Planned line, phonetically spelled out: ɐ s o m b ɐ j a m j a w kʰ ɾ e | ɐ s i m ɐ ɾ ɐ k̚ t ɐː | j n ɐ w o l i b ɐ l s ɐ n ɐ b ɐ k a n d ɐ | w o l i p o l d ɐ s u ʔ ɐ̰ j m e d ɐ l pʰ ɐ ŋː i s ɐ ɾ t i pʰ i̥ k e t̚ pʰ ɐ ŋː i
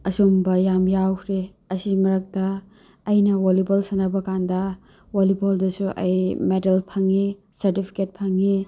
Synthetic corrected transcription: ɐ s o m b ɐ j a m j a w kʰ ɾ e | ɐ s i m ɐ ɾ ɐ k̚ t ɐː | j n ɐ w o l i b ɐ l s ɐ n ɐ b ɐ k a n d ɐ | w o l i b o l d ɐ s u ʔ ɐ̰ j m e d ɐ l pʰ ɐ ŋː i s ɐ ɾ t i pʰ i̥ k e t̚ pʰ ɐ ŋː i